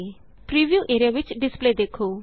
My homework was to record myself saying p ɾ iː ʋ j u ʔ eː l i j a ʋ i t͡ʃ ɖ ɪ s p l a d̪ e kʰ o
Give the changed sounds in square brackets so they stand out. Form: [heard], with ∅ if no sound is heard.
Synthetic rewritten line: p ɾ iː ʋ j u ʔ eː [ɾ] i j a ʋ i t͡ʃ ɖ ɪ s p l [e] d̪ e kʰ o